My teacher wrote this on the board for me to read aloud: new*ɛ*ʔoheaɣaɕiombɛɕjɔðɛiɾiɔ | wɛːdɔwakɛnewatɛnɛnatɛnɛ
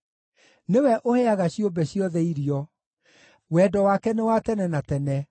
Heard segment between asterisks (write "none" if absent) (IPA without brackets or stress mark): ɛ